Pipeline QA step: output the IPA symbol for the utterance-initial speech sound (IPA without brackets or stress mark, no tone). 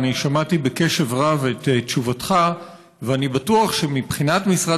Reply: n